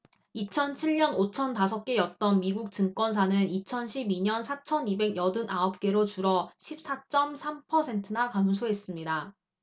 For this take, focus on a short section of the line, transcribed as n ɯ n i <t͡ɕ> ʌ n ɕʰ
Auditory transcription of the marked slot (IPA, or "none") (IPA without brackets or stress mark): t͡ɕʰ